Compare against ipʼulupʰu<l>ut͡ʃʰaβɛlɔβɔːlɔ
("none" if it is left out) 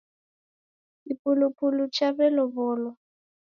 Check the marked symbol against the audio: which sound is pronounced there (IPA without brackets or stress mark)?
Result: l